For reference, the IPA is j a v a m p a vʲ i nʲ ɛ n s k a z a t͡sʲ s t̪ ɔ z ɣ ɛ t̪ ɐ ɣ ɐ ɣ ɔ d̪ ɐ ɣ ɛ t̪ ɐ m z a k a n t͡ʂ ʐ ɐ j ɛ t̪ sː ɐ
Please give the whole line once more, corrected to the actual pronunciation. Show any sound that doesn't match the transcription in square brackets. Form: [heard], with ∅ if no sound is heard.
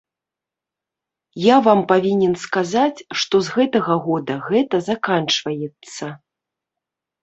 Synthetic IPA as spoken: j a v a m p a vʲ i nʲ ɛ n s k a z a t͡sʲ [ʂ] t̪ ɔ z ɣ ɛ t̪ ɐ ɣ ɐ ɣ ɔ d̪ ɐ ɣ ɛ t̪ ɐ [∅] z a k a n t͡ʂ [v] ɐ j ɛ t̪ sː ɐ